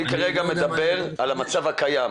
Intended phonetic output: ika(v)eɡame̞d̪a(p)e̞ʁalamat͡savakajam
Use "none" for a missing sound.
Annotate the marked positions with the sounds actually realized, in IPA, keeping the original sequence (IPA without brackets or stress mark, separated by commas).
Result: ʁ, b